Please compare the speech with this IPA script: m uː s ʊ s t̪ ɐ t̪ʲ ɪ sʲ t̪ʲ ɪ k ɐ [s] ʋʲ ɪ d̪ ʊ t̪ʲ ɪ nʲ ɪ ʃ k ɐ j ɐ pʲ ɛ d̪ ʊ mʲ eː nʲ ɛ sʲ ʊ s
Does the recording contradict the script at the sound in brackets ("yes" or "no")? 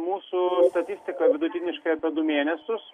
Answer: yes